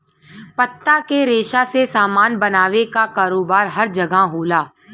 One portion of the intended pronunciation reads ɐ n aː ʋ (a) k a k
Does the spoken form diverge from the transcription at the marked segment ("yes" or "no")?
yes